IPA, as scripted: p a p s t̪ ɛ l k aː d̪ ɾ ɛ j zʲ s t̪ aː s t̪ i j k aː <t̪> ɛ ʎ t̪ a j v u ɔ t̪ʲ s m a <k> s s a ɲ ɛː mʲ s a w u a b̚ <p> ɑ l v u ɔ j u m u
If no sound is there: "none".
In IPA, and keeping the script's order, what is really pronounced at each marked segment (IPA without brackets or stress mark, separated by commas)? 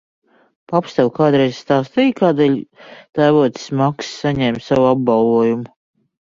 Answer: d̪, k, b